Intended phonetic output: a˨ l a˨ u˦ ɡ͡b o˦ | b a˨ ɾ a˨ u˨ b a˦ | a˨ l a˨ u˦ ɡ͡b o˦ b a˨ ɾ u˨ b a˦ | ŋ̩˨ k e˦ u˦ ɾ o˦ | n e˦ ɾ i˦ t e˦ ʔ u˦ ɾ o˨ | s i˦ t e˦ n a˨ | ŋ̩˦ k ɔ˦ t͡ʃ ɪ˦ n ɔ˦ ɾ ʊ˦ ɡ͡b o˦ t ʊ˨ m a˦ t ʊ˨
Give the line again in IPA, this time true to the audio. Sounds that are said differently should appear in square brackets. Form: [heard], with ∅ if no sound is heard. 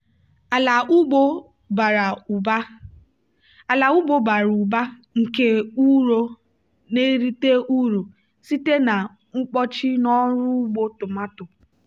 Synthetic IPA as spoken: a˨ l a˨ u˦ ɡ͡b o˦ | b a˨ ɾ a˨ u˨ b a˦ | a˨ l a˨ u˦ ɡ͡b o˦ b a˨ ɾ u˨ b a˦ | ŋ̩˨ k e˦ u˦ ɾ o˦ | n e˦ ɾ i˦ t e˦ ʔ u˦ ɾ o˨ | s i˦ t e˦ n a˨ | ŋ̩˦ [k͡p] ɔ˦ t͡ʃ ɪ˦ n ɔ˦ ɾ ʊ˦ ɡ͡b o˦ t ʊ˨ m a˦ t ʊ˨